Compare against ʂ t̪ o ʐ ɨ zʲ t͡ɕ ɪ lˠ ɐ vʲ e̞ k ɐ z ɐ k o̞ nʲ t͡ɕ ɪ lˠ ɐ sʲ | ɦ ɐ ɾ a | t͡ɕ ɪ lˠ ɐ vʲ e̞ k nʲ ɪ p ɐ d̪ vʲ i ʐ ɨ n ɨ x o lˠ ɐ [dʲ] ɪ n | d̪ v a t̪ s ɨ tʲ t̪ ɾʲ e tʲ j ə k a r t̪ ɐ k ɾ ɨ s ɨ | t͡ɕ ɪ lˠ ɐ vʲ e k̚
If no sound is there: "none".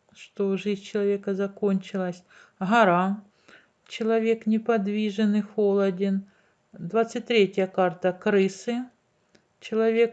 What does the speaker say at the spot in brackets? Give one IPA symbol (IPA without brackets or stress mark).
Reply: dʲ